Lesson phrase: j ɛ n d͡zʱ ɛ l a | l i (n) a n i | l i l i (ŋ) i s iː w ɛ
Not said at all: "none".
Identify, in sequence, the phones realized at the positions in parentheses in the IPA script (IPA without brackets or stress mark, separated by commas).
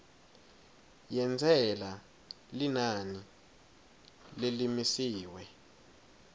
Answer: n, m